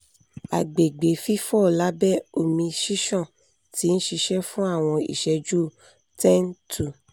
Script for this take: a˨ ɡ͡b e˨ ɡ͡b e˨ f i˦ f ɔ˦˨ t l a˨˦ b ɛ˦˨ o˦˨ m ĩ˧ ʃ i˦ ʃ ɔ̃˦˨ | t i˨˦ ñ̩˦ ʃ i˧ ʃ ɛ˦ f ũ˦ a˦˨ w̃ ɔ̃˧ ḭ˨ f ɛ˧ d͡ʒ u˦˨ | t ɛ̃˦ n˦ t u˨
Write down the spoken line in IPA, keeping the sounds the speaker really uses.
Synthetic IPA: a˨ ɡ͡b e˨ ɡ͡b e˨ f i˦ f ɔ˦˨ l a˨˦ b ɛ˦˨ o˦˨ m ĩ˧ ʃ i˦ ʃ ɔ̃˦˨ | t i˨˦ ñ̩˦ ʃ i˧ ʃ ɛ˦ f ũ˦ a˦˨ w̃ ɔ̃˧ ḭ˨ ʃ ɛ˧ d͡ʒ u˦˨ | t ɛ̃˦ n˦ t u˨